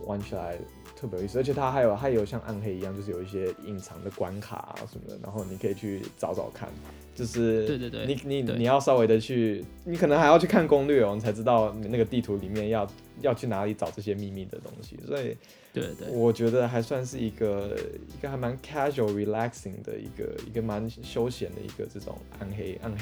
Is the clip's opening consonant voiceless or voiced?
voiced